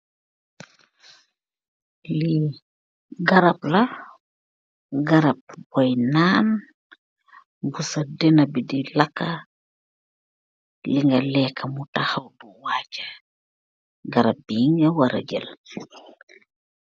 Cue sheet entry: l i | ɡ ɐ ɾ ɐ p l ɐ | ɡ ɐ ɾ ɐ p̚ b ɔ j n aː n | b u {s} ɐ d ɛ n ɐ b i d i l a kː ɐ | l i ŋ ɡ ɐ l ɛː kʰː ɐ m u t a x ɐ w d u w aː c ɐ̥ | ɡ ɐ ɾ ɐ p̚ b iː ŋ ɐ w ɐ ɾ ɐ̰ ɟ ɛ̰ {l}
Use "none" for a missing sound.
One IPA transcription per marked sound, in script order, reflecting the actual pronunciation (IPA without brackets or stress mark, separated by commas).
s, l